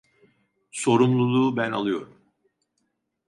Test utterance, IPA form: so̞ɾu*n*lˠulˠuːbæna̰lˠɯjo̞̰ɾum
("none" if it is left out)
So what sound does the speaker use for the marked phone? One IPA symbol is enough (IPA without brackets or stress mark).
m